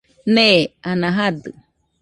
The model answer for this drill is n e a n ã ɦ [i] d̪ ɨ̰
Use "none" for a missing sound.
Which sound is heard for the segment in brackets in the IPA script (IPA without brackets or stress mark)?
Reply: a